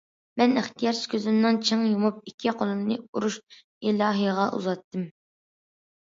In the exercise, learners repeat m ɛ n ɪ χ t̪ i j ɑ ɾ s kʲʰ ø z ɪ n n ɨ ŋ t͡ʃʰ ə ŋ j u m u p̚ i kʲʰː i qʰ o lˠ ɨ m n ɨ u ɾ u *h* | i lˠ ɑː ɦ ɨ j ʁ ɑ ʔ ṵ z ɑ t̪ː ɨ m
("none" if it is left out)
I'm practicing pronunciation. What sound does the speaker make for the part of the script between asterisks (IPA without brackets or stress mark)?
ʃ